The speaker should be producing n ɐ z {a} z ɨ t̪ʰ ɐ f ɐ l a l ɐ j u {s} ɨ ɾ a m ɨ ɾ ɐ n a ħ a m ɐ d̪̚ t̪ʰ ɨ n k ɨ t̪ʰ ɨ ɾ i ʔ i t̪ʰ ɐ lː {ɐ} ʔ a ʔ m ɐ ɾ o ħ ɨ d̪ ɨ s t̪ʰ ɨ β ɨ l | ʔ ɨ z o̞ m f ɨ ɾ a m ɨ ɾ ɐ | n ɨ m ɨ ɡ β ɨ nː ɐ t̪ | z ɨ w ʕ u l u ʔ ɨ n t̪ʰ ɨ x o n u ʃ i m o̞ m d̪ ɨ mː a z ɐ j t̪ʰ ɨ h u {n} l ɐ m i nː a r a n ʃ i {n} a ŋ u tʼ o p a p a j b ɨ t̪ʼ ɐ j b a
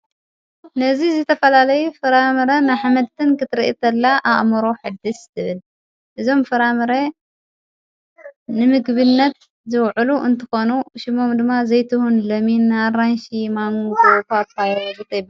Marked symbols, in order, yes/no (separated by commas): no, no, no, yes, no